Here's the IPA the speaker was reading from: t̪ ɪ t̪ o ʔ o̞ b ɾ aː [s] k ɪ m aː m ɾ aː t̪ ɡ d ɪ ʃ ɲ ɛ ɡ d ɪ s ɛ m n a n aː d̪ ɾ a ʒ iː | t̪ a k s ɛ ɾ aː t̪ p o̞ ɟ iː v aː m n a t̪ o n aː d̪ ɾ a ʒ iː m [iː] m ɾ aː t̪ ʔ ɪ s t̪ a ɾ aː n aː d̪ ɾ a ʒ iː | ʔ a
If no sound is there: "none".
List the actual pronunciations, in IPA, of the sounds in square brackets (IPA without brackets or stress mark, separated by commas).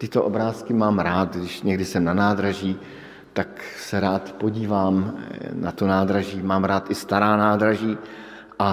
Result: s, aː